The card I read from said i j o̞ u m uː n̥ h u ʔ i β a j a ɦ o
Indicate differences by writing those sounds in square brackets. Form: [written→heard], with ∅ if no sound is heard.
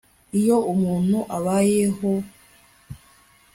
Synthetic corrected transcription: i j o̞ u m uː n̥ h u ʔ [i→a] β a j [a→e] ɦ o